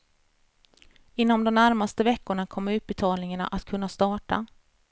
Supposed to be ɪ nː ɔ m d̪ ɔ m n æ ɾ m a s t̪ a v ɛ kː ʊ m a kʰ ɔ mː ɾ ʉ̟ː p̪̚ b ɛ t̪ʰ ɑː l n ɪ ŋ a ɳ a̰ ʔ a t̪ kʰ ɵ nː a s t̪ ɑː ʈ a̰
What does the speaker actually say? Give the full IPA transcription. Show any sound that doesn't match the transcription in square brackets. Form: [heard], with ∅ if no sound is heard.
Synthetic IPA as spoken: ɪ nː ɔ m d̪ ɔ m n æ ɾ m a s t̪ [ə] v ɛ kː ʊ [ɳ] a kʰ ɔ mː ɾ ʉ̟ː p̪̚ b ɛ t̪ʰ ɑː l n ɪ ŋ a ɳ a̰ ʔ a t̪ kʰ ɵ nː a s t̪ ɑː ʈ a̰